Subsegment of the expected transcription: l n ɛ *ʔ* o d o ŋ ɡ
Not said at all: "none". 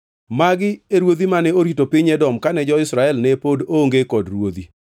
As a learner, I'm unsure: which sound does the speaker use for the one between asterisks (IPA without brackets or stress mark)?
p